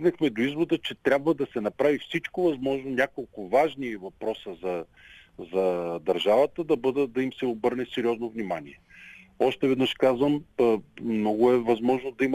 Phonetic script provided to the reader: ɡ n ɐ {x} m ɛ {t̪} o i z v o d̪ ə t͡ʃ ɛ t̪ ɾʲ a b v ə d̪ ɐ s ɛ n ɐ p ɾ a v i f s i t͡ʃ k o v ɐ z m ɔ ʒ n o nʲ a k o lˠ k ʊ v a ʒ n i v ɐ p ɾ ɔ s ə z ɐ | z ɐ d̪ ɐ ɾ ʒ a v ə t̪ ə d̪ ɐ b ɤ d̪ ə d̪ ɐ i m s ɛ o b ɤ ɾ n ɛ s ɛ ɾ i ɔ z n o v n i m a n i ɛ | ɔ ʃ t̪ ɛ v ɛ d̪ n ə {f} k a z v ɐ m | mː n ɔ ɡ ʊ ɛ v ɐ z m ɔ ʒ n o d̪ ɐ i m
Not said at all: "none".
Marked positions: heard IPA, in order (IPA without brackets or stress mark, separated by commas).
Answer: x, d̪, ʃ